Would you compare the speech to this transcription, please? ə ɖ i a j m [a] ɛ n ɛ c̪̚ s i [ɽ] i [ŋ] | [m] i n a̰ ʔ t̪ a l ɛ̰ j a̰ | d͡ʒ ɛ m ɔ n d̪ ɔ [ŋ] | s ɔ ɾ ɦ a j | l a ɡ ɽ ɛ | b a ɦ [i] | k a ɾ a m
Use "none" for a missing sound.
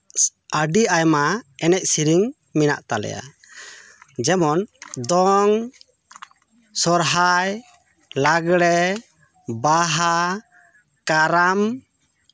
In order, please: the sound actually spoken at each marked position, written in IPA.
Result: a, ɾ, ŋ, m, ŋ, a

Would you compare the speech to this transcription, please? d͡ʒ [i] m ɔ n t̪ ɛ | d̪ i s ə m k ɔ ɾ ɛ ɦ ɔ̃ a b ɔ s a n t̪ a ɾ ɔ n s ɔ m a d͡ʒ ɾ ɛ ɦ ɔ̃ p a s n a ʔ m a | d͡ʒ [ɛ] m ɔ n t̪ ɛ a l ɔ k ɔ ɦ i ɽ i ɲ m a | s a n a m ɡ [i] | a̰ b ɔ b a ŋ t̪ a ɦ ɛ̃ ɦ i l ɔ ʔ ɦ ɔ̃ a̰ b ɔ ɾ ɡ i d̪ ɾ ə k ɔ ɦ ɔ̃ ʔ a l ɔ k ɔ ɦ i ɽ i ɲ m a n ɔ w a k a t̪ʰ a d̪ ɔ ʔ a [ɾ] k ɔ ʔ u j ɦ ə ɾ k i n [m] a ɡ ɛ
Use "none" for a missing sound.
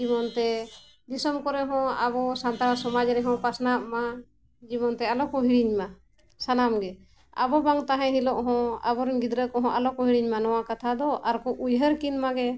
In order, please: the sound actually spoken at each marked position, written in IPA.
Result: i, i, ɛ, ɾ, m

